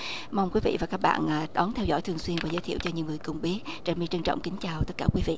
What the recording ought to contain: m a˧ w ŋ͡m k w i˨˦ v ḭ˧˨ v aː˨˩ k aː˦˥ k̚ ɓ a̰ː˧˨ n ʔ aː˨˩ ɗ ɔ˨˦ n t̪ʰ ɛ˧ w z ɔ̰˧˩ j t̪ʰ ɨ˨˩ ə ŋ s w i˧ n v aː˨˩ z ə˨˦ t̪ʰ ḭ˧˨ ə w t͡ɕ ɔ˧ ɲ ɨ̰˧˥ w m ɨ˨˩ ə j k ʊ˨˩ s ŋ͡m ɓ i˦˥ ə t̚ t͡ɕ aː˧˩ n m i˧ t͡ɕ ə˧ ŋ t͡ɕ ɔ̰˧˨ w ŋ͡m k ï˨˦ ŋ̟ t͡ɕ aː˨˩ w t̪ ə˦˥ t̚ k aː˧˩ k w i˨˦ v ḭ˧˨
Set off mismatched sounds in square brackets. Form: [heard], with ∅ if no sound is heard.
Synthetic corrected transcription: m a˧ w ŋ͡m k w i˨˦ v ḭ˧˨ v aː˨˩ k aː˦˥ k̚ ɓ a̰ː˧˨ n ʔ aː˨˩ ɗ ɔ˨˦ n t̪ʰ ɛ˧ w z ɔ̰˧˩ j t̪ʰ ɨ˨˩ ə ŋ s w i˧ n v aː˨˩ z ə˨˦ t̪ʰ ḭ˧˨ ə w t͡ɕ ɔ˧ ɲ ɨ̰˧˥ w [ŋ] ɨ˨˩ ə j k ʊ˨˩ [∅] ŋ͡m ɓ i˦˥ ə t̚ t͡ɕ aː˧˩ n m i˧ t͡ɕ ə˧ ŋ t͡ɕ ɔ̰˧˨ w ŋ͡m k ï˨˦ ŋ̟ t͡ɕ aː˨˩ w t̪ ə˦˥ t̚ k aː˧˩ k w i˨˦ v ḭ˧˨